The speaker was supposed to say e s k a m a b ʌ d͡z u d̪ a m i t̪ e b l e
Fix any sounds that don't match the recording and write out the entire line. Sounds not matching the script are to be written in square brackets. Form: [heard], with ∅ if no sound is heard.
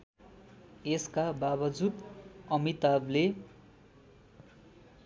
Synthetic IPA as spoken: e s k a [b] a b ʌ d͡z u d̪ [ʌ] m i t̪ [a] b l e